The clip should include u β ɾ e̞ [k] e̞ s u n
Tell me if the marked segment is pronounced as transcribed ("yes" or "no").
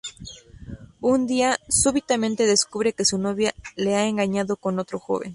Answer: yes